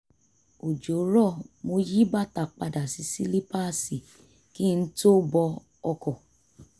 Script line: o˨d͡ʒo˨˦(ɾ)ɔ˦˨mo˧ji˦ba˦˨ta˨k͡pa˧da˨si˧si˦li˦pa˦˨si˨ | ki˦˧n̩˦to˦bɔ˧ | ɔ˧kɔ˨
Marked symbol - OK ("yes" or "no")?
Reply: yes